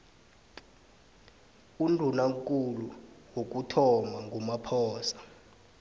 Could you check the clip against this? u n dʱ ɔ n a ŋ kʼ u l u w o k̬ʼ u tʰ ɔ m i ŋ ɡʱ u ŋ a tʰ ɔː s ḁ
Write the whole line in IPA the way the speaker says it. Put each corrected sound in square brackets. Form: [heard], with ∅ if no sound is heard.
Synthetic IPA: u n dʱ [u] n a ŋ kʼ u l u w o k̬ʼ u tʰ ɔ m [a] ŋ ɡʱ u [m] a [pʰ] ɔː s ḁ